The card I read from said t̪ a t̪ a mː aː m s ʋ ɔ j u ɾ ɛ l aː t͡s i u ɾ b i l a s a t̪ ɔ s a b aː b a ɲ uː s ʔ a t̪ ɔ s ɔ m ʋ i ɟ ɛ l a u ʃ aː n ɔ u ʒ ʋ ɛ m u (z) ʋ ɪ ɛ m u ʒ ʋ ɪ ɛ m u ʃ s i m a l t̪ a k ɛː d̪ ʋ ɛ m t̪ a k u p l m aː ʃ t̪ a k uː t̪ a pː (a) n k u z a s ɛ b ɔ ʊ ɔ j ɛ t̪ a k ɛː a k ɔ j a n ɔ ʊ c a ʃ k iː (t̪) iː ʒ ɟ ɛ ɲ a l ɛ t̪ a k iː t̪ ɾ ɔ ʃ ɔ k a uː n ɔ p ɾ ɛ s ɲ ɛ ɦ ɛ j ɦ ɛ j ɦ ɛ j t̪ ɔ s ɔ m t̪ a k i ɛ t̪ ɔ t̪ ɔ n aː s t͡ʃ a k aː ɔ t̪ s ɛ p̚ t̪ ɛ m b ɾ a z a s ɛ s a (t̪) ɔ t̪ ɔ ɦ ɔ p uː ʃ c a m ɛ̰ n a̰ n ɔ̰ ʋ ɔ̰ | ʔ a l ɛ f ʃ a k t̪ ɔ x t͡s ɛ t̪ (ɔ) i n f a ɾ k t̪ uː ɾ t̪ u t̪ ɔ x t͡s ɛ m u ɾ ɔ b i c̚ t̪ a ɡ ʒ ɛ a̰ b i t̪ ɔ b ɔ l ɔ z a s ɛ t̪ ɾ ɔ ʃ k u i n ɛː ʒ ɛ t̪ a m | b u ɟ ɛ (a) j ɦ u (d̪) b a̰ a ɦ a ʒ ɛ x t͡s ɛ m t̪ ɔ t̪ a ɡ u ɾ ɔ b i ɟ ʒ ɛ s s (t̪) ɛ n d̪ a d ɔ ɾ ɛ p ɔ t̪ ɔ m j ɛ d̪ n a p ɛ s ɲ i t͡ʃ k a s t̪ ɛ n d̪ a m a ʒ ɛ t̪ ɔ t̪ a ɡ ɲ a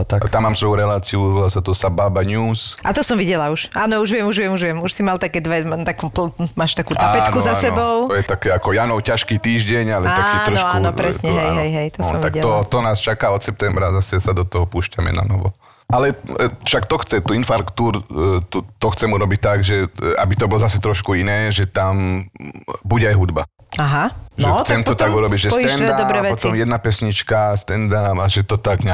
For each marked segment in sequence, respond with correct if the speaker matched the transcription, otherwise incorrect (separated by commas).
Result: incorrect, incorrect, correct, incorrect, incorrect, correct, correct, correct